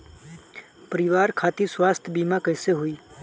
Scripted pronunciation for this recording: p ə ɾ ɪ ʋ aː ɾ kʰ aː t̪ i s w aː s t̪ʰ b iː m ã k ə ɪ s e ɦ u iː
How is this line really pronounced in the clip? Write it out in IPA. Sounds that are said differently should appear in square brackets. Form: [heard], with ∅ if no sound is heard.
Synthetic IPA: p ə ɾ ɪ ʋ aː ɾ kʰ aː t̪ i s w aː s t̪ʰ b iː m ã k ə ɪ s e ɦ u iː